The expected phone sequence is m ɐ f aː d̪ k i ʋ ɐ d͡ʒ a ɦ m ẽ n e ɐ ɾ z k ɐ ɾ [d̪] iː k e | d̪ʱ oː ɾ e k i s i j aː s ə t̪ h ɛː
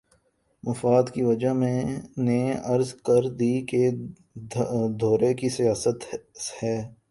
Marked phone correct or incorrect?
correct